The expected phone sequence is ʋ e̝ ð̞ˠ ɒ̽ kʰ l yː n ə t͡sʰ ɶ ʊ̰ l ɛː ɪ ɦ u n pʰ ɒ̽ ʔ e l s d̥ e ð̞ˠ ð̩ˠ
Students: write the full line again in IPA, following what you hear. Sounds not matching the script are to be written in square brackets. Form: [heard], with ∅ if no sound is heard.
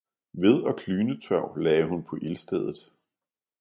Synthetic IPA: ʋ e̝ ð̞ˠ ɒ̽ kʰ l yː n ə t͡sʰ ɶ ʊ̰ l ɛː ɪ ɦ u n pʰ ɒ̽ ʔ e l s d̥ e ð̞ˠ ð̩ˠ

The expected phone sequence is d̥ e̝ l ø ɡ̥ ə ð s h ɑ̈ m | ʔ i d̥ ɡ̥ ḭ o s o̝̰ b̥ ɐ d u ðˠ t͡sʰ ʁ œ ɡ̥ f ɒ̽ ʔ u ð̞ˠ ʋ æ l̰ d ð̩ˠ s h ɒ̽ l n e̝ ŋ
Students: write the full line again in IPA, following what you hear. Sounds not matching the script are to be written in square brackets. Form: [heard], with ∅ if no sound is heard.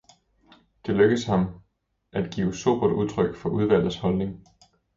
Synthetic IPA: d̥ e̝ l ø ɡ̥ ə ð s h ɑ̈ m | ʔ [æ] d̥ ɡ̥ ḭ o s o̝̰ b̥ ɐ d u ðˠ t͡sʰ ʁ œ ɡ̥ f ɒ̽ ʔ u ð̞ˠ ʋ æ l̰ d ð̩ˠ s h ɒ̽ l n e̝ ŋ

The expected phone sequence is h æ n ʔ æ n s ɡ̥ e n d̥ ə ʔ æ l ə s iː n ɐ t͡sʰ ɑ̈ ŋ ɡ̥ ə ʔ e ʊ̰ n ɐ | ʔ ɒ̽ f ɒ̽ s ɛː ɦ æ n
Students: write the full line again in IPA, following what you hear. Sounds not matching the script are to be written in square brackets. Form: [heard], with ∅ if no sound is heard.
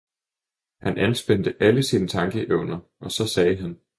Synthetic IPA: h æ n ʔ æ n s [b̥] e n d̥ ə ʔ æ l ə s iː n [ə] t͡sʰ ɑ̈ ŋ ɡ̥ ə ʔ e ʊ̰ n ɐ | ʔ ɒ̽ [s] ɒ̽ s ɛː ɦ æ n

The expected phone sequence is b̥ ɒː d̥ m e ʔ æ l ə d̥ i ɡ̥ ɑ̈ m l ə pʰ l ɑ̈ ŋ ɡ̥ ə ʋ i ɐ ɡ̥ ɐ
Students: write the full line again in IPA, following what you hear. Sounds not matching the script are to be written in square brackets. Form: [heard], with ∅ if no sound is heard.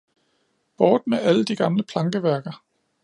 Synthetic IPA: b̥ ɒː d̥ m e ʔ æ l ə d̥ i ɡ̥ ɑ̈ m l ə pʰ l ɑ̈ ŋ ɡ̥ ə ʋ [æ] ɐ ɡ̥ ɐ

